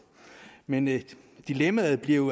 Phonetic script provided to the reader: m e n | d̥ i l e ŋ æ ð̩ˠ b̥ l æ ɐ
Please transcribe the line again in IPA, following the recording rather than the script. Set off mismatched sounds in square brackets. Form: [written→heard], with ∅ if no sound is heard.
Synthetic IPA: m e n | d̥ i l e [ŋ→m] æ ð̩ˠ b̥ l [æ→i] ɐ